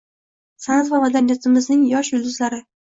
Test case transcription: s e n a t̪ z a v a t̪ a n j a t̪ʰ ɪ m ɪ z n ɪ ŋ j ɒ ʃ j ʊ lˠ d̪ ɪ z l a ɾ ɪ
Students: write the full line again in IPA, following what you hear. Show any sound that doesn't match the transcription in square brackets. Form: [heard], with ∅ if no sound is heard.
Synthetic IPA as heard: s [a] n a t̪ [v] a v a [d̪] a n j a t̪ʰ ɪ m ɪ z n ɪ ŋ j ɒ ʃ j ʊ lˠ d̪ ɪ z l a ɾ ɪ